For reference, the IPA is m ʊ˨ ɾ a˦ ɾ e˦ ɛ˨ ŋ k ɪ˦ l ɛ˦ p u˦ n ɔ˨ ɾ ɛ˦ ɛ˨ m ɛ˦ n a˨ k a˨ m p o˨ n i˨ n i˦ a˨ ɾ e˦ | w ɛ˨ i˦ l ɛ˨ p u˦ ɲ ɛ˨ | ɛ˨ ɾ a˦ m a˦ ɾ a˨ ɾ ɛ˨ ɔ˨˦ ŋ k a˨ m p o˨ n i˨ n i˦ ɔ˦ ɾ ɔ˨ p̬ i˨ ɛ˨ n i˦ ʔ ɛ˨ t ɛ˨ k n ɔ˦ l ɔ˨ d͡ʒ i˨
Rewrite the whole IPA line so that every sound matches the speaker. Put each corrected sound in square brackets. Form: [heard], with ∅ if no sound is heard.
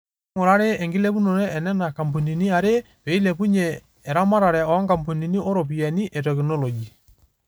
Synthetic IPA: [ŋ] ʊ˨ ɾ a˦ ɾ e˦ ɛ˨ ŋ [ɡ] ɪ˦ l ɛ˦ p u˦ n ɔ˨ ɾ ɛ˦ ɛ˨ [n] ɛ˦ n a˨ k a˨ m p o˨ n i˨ n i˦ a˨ ɾ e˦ | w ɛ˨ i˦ l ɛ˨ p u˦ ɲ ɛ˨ | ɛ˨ ɾ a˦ m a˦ ɾ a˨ ɾ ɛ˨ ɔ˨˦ ŋ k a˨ m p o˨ n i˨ n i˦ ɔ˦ ɾ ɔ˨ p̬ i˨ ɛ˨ n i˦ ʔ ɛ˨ t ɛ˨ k n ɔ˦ l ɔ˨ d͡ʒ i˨